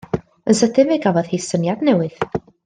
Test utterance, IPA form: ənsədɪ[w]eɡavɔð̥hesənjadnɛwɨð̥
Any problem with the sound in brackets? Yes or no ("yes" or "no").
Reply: yes